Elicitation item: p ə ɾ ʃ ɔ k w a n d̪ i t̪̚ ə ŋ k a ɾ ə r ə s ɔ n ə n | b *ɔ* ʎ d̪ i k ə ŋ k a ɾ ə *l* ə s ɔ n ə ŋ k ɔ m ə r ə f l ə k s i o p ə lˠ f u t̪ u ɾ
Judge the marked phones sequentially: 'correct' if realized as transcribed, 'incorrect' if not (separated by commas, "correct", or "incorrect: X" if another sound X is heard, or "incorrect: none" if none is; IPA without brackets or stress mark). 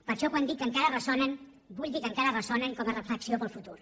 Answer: incorrect: u, incorrect: r